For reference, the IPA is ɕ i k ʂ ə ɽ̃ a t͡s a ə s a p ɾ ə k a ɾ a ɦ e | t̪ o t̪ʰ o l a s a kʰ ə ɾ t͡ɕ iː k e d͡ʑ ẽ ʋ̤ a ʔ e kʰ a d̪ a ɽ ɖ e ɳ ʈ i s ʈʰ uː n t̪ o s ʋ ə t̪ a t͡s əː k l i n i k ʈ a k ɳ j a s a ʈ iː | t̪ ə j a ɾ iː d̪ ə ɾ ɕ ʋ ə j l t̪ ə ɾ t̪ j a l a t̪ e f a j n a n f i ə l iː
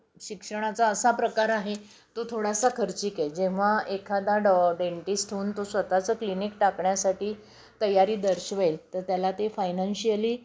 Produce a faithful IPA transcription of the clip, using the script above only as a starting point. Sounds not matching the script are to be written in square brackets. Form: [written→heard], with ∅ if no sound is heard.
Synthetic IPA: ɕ i k ʂ ə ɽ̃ a t͡s a ə s a p ɾ ə k a ɾ a ɦ e | t̪ o t̪ʰ o [l→ɽ] a s a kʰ ə ɾ t͡ɕ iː k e d͡ʑ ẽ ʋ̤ a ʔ e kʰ a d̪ a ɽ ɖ e ɳ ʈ i s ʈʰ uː n t̪ o s ʋ ə t̪ a t͡s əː k l i n i k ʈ a k ɳ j a s a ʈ iː | t̪ ə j a ɾ iː d̪ ə ɾ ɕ ʋ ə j l t̪ ə ɾ t̪ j a l a t̪ e f a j n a n [f→ɕ] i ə l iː

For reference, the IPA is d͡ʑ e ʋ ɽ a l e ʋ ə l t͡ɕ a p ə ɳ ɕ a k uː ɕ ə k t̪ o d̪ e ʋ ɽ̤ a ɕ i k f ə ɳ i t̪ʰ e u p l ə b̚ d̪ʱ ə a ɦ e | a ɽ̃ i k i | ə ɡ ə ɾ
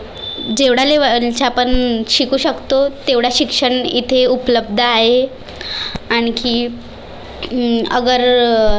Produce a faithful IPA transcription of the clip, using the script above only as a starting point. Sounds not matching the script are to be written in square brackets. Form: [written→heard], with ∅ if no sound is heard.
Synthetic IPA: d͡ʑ e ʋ ɽ a l e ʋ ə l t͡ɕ a p ə ɳ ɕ [a→i] k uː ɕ ə k t̪ o [d̪→t̪] e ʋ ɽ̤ a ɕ i k [f→ʂ] ə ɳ i t̪ʰ e u p l ə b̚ d̪ʱ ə a ɦ e | a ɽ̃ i k i | ə ɡ ə ɾ

